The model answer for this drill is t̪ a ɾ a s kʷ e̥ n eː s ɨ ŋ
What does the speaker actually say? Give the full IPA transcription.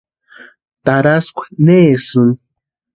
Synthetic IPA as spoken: t̪ a ɾ a s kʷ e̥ n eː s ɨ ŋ